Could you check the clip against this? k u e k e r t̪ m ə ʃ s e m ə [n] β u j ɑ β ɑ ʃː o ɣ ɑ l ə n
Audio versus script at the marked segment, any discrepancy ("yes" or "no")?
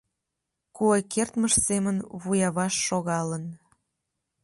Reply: no